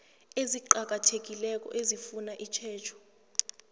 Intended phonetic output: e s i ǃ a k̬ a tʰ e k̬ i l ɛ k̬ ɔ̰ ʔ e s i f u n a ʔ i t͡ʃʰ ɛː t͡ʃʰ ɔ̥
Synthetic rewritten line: e z i ǃ a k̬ a tʰ e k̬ i l ɛ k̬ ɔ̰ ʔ e z i f u n a ʔ i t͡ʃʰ ɛː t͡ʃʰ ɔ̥